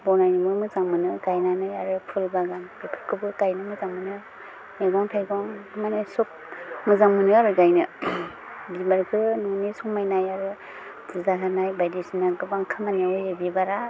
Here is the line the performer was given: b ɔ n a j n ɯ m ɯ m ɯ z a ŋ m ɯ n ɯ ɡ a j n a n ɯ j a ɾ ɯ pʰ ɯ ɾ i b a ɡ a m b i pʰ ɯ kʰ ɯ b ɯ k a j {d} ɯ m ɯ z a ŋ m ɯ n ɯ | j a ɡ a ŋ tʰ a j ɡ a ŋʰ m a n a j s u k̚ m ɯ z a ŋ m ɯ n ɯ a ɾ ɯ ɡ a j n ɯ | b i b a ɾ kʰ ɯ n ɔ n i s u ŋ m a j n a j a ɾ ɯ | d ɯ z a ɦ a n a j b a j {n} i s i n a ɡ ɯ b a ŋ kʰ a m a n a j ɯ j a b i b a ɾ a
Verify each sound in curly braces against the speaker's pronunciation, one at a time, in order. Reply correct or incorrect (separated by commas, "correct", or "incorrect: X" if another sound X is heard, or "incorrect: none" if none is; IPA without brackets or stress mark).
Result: incorrect: n, incorrect: d